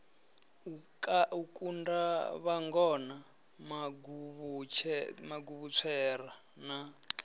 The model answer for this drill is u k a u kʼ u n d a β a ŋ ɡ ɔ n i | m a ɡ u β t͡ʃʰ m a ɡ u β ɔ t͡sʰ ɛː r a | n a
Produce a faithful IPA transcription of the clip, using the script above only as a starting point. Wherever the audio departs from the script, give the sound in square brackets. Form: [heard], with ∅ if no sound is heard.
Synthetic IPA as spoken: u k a u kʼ u n d a β a ŋ ɡ ɔ n [a] | m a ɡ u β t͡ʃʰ m a ɡ u β [u] t͡sʰ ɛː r a | n a